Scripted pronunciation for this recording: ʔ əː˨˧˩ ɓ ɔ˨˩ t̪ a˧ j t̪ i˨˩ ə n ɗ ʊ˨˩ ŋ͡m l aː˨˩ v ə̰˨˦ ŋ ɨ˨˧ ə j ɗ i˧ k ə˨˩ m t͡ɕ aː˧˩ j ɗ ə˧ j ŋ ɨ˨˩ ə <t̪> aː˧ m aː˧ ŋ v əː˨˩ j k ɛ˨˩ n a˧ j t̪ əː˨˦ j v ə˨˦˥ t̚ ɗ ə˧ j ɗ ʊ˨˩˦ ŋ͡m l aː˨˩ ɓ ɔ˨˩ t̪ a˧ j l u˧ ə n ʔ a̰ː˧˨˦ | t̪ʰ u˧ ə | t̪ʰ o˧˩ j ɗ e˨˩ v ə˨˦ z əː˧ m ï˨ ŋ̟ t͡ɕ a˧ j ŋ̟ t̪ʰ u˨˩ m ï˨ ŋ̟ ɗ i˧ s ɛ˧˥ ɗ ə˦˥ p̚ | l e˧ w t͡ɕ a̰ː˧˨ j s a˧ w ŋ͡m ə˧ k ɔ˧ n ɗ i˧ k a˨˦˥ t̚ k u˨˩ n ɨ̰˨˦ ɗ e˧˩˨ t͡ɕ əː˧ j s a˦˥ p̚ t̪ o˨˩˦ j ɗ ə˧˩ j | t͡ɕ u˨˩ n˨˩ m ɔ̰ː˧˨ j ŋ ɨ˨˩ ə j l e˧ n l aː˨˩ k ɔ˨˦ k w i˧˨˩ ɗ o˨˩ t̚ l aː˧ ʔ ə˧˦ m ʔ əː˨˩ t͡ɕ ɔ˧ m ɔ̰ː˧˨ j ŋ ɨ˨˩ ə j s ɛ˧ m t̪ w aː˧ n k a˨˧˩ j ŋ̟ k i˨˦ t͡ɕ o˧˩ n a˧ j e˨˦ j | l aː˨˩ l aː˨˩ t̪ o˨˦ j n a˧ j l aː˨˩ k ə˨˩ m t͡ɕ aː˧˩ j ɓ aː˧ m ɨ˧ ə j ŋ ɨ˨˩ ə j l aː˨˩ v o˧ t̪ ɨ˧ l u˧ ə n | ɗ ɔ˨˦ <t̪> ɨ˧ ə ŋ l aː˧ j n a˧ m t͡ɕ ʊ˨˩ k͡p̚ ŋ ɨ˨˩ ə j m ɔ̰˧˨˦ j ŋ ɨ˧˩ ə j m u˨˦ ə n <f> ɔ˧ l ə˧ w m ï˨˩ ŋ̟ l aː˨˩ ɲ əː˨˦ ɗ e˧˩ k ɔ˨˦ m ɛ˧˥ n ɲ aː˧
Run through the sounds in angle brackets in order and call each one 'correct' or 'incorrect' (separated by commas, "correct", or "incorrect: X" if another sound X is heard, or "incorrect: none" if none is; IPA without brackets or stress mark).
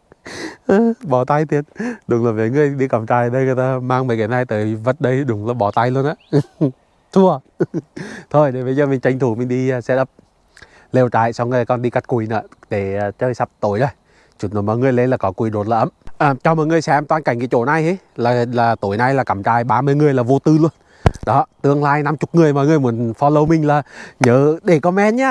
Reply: correct, correct, correct